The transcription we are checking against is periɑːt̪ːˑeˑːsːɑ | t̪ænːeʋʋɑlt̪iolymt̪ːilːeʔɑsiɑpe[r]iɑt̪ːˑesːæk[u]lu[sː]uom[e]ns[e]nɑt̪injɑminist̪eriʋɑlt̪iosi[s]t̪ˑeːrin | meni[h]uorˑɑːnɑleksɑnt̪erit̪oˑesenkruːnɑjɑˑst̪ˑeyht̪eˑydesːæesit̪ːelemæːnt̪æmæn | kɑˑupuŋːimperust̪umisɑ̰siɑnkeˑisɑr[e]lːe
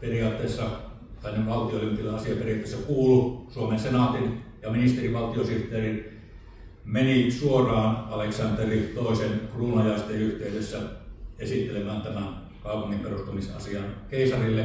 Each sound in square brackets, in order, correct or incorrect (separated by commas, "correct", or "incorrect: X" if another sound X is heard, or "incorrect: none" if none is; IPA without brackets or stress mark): correct, incorrect: uː, incorrect: s, correct, correct, incorrect: h, incorrect: s, incorrect: i